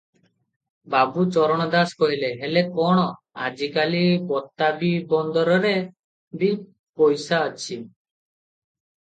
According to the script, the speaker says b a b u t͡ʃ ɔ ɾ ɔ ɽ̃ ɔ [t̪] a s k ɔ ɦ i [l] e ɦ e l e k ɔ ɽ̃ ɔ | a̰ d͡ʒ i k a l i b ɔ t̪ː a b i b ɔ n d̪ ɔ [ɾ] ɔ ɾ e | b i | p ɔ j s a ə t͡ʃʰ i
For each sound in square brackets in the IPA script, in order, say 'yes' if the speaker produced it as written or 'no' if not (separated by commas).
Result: no, yes, yes